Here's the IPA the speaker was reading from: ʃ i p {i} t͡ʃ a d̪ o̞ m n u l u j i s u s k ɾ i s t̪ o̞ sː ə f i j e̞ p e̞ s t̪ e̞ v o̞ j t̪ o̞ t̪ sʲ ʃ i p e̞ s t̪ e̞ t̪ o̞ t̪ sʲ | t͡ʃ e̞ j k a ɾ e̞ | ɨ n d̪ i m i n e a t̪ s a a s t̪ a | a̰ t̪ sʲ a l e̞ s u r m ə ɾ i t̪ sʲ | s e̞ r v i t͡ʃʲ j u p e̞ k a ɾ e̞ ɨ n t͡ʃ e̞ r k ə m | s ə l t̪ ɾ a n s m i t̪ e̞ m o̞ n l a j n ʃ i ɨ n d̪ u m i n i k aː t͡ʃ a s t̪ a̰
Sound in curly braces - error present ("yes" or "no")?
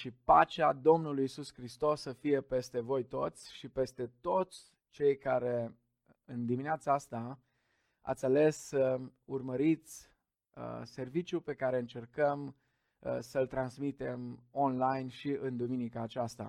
yes